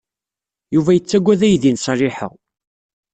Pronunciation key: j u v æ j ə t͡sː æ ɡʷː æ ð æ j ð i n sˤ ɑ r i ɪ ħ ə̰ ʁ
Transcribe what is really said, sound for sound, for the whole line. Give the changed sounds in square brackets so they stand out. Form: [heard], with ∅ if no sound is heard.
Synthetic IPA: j u v æ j ə t͡sː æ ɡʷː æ ð æ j ð i n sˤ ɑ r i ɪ ħ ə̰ ʁ